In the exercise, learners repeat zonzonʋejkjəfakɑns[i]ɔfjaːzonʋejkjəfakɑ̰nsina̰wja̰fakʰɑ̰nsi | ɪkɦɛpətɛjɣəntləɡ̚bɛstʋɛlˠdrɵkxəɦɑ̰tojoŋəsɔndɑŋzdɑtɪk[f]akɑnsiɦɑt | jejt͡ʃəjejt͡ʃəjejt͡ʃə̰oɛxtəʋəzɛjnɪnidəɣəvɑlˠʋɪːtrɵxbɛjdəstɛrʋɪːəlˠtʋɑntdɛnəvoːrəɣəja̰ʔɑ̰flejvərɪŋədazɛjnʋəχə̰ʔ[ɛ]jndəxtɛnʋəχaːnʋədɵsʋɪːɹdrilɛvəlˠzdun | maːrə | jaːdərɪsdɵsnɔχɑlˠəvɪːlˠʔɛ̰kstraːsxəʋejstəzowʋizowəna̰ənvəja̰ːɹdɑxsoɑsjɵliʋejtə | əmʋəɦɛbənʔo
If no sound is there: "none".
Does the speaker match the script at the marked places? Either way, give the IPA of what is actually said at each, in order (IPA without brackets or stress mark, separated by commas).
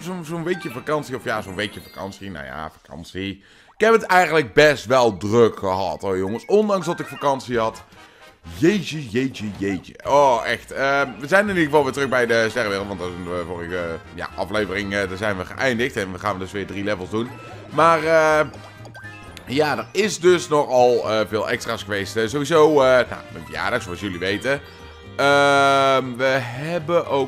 i, f, ɛ